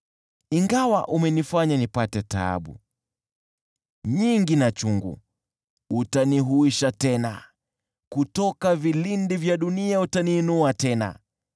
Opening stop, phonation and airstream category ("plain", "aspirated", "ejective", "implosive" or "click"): plain